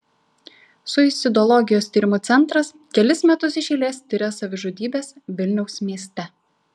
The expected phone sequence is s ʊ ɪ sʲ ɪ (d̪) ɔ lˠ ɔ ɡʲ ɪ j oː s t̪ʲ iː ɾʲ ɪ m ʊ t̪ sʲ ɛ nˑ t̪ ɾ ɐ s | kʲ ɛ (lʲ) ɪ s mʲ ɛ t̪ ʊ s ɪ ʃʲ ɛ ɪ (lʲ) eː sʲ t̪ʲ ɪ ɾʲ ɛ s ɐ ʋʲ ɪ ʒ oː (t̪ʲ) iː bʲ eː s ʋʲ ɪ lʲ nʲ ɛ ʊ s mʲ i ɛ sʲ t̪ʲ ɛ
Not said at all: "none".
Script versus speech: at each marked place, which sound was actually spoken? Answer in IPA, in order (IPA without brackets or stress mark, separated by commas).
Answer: d̪, lʲ, lʲ, d̪ʲ